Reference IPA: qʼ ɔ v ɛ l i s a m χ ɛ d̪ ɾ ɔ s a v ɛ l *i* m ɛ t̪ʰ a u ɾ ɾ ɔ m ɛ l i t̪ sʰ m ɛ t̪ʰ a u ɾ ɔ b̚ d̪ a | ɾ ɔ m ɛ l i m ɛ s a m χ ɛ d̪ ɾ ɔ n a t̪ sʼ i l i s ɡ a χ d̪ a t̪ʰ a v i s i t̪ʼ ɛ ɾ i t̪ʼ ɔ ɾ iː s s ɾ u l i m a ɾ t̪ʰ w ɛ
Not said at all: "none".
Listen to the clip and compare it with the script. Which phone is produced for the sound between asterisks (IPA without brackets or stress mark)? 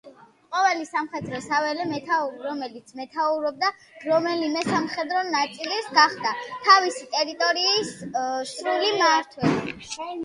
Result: ɛ